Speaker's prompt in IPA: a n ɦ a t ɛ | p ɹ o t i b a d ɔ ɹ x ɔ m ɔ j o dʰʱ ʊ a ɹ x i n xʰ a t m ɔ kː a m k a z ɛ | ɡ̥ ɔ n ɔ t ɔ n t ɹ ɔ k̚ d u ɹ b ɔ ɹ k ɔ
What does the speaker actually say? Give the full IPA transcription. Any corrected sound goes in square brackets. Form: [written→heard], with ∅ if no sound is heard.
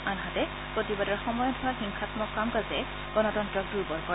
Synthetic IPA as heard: a n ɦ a t ɛ | p ɹ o t i b a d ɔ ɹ x ɔ m ɔ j [o→ɔ] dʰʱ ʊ a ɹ x i [n→ŋ] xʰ a t m ɔ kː a m k a z ɛ | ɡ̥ ɔ n ɔ t ɔ n t ɹ ɔ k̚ d u ɹ b ɔ ɹ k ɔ

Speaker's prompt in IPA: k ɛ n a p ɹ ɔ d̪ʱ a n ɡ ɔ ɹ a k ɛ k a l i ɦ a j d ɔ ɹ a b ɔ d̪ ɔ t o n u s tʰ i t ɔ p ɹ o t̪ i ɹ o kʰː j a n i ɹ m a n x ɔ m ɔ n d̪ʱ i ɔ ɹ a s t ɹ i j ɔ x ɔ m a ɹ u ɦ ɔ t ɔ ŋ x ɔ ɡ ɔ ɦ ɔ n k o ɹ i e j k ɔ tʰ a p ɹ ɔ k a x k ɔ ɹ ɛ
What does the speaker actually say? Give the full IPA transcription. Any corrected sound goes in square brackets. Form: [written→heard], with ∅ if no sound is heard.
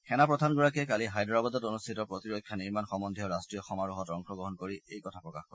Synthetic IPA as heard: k ɛ n a p ɹ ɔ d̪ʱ a n ɡ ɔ ɹ a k ɛ k a l i ɦ a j d ɔ ɹ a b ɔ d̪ ɔ t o n u s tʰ i t ɔ p ɹ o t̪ i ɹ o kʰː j a n i ɹ m a n x ɔ m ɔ n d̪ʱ i ɔ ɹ a s t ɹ i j ɔ x ɔ m a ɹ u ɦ ɔ t ɔ ŋ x ɔ ɡ ɔ ɦ ɔ n k o ɹ i e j k ɔ tʰ a p ɹ ɔ k a x k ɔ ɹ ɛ

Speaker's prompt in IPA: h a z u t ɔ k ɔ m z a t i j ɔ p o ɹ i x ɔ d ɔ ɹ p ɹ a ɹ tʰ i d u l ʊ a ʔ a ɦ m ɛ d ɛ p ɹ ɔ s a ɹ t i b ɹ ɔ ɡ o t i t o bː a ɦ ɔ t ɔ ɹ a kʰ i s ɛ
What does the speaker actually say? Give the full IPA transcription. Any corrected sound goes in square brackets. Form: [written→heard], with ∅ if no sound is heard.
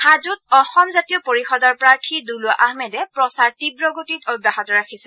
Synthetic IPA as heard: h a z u t ɔ [k→x] ɔ m z a t i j ɔ p o ɹ i x ɔ d ɔ ɹ p ɹ a ɹ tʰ i d u l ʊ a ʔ a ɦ m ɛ d ɛ p ɹ ɔ s a ɹ t i b ɹ ɔ ɡ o t i t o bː a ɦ ɔ t ɔ ɹ a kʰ i s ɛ

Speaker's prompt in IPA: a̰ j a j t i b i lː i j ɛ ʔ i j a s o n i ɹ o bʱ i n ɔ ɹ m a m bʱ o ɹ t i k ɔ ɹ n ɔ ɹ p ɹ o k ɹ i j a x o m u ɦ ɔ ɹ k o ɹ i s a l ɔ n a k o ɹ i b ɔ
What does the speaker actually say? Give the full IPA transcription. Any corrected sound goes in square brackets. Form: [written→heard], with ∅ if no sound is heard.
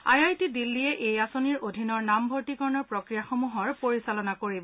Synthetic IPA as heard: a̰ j a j t i [b→d] i lː i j ɛ ʔ [i→e] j a s o n i ɹ o [bʱ→dʱ] i n ɔ ɹ [m→n] a m bʱ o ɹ t i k ɔ ɹ n ɔ ɹ p ɹ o k ɹ i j a x o m u ɦ ɔ ɹ [k→p] o ɹ i s a l ɔ n a k o ɹ i b ɔ

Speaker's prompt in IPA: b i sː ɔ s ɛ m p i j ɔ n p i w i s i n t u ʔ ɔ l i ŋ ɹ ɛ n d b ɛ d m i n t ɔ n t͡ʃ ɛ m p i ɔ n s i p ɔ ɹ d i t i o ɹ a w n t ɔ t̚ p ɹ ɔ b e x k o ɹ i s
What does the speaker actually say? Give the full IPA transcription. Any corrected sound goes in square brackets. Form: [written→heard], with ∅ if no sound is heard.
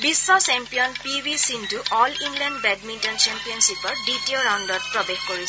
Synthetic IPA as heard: b i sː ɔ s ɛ m p i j ɔ n p i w i s i n t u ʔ ɔ l i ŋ [ɹ→l] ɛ n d b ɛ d m i n t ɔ n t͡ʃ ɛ m p i ɔ n s i p ɔ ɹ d i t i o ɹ a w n [t→d] ɔ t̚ p ɹ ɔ b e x k o ɹ i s

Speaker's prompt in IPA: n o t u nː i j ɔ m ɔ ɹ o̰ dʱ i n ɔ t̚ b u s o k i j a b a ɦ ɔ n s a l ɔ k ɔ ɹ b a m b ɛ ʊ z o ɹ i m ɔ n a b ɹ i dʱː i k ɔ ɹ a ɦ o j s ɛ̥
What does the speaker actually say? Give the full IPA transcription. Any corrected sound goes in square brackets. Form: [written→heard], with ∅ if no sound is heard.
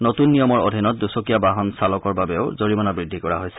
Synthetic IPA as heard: n o t u nː i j ɔ m ɔ ɹ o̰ dʱ i n ɔ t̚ [b→d] u s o k i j a b a ɦ ɔ n s a l ɔ k ɔ ɹ b a [m→∅] b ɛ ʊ z o ɹ i m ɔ n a b ɹ i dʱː i k ɔ ɹ a ɦ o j s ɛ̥

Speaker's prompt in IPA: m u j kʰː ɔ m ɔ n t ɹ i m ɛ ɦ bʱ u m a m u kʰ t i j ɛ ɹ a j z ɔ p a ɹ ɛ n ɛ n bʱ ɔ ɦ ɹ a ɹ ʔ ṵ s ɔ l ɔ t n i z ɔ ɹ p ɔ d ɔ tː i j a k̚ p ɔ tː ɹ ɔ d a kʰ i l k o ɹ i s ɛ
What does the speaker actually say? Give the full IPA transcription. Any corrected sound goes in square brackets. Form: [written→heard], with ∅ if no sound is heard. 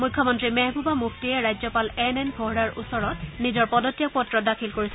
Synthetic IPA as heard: m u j kʰː ɔ m ɔ n t ɹ i m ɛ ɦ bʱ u [m→b] a m u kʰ t i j ɛ ɹ a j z ɔ p a [ɹ→l] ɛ n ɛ n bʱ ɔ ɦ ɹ a ɹ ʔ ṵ s ɔ [l→ɹ] ɔ t n i z ɔ ɹ p ɔ d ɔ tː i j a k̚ p ɔ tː ɹ ɔ d a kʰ i l k o ɹ i s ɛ

